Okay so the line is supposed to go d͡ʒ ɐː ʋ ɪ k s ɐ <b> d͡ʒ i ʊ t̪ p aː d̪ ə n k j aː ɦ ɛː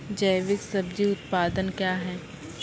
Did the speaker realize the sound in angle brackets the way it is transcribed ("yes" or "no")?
yes